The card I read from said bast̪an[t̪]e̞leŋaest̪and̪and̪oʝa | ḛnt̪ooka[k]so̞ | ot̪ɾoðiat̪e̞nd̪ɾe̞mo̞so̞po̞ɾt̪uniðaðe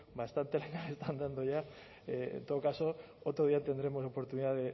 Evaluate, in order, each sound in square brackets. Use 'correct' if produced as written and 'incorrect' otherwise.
correct, incorrect: none

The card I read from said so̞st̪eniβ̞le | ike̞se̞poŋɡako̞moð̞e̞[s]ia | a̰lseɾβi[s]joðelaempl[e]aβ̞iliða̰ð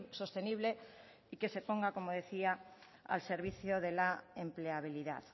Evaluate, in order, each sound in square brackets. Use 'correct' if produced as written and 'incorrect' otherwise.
incorrect: θ, incorrect: θ, correct

